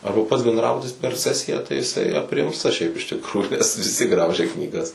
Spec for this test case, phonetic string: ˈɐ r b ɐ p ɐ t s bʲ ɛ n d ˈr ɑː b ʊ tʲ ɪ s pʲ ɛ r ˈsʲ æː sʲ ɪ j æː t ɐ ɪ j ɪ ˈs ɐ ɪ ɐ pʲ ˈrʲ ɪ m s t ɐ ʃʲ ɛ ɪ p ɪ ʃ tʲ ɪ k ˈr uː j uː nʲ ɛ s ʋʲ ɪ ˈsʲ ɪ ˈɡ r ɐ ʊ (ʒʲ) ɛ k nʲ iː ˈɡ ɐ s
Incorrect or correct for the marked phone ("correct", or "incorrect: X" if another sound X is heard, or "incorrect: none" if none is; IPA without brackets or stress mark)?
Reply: correct